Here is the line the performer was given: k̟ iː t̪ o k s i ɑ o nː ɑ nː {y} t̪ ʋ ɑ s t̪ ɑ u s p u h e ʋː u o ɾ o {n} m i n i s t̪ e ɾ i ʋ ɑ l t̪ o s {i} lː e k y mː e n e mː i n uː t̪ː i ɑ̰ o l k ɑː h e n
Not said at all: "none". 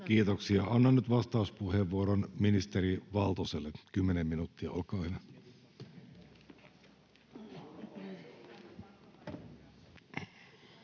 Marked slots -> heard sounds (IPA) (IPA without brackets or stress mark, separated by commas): y, n, e